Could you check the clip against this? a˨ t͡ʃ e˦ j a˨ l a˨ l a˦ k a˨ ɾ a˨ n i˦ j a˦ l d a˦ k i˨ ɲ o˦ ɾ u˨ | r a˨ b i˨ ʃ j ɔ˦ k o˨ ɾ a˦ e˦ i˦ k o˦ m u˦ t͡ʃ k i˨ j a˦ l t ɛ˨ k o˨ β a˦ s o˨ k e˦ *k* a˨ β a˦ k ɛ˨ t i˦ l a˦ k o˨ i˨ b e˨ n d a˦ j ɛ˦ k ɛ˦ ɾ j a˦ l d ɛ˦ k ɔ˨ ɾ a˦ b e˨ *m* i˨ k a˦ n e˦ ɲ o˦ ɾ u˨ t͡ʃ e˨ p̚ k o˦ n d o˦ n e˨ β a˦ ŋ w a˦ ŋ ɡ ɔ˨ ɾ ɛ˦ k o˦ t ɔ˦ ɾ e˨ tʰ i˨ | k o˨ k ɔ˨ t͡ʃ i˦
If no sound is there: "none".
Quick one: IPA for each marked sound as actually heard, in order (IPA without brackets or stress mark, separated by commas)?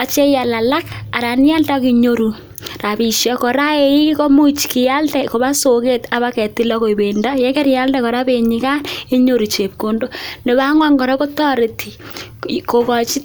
t, ɲ